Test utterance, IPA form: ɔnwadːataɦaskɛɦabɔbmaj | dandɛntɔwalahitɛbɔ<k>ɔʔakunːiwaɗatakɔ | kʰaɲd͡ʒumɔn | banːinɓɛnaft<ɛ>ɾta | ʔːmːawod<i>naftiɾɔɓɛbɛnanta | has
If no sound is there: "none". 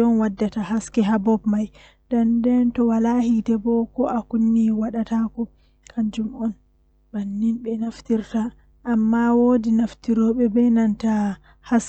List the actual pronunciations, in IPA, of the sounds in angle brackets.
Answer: k, i, i

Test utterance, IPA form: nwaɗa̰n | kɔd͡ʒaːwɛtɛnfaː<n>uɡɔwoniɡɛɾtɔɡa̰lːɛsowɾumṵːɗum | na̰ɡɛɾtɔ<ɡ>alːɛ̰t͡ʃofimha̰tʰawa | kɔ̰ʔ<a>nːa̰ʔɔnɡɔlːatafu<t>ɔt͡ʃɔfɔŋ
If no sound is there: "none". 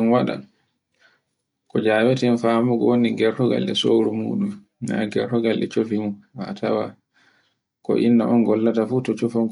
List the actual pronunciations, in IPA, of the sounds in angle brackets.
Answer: m, ɡ, i, t

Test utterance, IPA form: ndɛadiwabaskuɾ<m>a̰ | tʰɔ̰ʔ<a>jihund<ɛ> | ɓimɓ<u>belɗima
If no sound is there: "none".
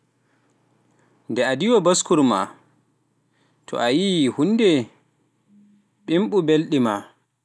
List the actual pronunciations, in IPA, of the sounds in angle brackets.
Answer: m, a, ɛ, u

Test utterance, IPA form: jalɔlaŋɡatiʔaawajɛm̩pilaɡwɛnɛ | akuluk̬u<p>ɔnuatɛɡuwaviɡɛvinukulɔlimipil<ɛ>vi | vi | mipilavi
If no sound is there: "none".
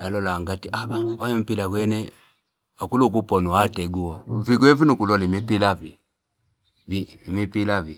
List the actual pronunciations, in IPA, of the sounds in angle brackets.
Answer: p, a

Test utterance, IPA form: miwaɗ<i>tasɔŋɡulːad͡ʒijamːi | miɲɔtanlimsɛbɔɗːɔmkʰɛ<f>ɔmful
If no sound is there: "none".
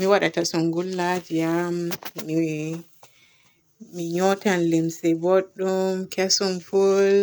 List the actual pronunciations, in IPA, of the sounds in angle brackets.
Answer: a, s

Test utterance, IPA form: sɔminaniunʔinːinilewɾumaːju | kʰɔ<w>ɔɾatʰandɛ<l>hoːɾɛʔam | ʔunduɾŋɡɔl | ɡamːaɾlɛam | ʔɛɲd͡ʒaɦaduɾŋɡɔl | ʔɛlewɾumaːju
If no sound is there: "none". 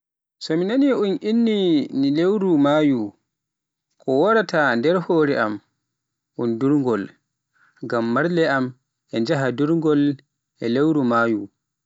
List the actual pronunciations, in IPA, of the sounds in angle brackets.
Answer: w, ɾ

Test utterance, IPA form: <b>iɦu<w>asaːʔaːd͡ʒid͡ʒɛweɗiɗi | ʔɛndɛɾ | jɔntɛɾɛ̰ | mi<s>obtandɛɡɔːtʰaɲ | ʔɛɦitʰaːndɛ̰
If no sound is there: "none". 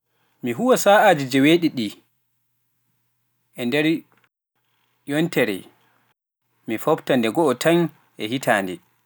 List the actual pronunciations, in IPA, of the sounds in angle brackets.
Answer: m, w, f

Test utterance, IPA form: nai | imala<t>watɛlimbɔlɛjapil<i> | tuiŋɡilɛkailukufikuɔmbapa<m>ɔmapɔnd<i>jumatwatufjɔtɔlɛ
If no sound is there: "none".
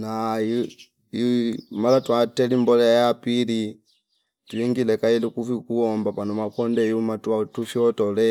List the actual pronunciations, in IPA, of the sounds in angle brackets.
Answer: t, i, n, ɛ

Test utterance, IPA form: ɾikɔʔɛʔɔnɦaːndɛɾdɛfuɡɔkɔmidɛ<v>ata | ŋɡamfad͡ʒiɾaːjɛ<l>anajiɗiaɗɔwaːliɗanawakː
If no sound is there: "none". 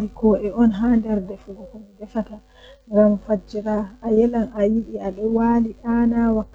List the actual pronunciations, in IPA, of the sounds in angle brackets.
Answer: f, l

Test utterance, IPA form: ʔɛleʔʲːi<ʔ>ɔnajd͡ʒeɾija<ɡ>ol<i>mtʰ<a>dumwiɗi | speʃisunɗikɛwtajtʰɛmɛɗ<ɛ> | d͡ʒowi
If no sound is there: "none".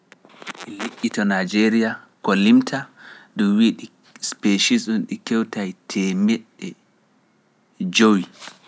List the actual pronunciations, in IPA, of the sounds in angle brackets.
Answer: t, k, i, a, ɛ

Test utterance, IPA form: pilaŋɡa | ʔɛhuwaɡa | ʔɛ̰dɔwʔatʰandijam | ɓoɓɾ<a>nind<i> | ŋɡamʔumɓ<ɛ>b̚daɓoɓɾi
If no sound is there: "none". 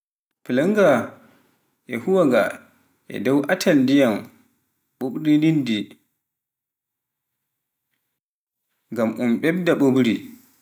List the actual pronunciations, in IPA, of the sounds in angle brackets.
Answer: i, i, ɛ

